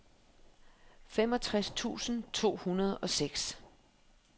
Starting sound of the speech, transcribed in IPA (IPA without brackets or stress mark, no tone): f